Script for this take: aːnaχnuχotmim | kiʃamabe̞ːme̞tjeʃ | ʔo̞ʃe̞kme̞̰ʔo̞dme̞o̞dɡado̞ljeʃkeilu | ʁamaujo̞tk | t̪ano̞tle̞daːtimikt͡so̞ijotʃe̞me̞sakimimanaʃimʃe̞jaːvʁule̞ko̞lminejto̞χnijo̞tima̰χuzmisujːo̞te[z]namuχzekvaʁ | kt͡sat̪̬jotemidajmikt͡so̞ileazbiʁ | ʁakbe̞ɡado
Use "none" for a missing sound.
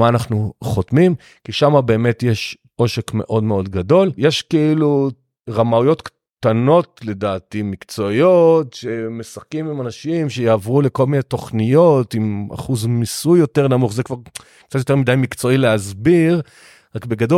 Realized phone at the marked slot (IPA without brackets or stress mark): ʁ